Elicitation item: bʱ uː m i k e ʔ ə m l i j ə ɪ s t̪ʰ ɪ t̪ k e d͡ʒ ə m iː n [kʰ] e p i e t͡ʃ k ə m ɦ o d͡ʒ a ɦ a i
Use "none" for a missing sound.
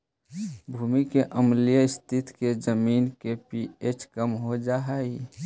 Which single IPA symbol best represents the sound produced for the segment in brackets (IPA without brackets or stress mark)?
k